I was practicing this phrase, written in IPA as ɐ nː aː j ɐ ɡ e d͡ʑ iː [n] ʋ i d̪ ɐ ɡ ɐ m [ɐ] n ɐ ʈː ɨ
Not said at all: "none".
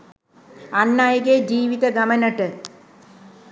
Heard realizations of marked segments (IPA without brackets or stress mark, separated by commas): none, ɐ